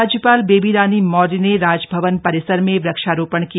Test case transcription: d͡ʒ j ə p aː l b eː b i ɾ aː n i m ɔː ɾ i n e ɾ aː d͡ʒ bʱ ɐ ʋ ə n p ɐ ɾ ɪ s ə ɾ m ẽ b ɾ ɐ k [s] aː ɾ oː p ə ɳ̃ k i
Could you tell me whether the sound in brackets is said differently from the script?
yes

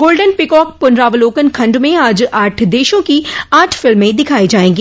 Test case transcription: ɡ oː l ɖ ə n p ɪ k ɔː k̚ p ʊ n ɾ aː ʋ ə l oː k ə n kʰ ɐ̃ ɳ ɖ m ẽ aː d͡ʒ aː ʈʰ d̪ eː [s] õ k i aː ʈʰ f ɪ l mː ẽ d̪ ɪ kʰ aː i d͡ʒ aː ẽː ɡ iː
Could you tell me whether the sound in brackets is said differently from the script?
yes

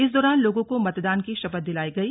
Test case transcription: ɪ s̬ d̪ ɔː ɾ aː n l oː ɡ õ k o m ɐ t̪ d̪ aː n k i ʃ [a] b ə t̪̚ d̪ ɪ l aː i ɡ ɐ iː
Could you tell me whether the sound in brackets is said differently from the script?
yes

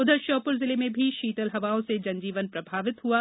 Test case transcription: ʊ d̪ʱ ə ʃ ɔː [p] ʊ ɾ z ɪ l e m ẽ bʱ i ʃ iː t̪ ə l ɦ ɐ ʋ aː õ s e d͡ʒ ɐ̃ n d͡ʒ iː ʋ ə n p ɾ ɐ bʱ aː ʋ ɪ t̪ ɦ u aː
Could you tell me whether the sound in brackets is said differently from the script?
no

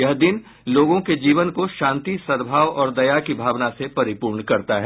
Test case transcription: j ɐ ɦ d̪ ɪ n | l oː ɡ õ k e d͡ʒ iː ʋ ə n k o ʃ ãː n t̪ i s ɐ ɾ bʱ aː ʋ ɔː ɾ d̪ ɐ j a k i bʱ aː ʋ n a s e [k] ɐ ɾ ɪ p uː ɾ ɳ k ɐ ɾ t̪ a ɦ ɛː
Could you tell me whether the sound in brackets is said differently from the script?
yes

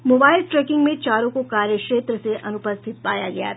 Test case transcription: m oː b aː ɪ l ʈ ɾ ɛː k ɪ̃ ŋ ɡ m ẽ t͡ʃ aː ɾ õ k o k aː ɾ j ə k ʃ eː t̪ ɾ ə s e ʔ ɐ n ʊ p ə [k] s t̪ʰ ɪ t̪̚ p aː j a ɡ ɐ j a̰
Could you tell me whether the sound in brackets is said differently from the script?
yes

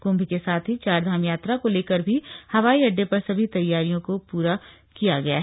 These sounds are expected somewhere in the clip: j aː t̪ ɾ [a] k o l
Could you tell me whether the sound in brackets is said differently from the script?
no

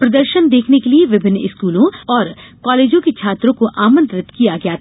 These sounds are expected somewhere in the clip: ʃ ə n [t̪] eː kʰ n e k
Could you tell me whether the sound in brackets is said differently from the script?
yes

